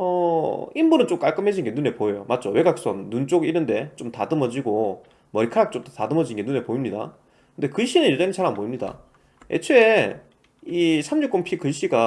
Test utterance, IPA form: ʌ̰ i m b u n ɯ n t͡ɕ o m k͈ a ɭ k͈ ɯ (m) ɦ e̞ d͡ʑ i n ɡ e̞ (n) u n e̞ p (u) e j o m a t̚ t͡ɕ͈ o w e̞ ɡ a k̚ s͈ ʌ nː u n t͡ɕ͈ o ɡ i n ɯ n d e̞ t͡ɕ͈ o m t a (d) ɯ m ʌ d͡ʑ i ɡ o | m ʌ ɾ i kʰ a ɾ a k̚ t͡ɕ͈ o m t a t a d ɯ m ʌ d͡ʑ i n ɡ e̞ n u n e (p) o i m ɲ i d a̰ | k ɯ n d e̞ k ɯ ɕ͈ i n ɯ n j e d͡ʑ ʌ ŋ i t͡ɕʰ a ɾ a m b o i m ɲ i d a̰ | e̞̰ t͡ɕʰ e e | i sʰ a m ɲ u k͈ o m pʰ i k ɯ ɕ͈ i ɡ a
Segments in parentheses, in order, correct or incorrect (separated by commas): correct, correct, incorrect, correct, correct